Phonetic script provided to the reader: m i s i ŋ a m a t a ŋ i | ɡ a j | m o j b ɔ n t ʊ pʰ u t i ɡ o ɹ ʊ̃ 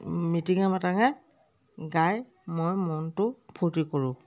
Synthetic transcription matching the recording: m i t i ŋ a m a t a ŋ a | ɡ a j | m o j m ɔ n t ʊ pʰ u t i k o ɹ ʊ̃